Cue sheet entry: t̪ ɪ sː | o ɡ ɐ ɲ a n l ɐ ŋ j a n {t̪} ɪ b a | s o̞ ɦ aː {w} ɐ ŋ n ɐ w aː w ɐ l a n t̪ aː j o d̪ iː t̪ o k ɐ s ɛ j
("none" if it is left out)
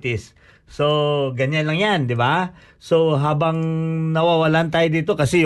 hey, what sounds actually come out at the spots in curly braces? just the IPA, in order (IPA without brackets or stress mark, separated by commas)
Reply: d̪, b